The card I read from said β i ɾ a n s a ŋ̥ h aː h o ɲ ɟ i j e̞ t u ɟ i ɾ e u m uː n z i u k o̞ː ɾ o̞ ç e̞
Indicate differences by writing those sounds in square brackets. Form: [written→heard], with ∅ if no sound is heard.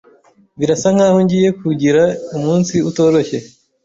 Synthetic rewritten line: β i ɾ a [n→∅] s a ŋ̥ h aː h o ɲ ɟ i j e̞ [t→k] u ɟ i ɾ [e→a] u m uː n [z→s] i u [k→t] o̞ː ɾ o̞ ç e̞